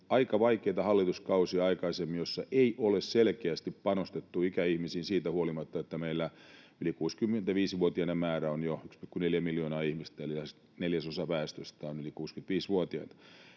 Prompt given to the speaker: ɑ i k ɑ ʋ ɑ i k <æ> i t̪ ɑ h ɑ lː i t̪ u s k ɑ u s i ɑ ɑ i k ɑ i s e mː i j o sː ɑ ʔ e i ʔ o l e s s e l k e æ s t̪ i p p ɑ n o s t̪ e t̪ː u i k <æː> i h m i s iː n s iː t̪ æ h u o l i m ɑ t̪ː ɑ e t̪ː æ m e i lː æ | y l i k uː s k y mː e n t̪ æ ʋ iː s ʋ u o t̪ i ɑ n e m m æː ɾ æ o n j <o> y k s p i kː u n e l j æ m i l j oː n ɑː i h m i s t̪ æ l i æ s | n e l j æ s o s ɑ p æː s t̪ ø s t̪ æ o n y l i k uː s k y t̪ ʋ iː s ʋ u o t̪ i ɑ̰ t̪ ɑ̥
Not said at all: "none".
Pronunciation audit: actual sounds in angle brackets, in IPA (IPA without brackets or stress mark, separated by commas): e, æ, o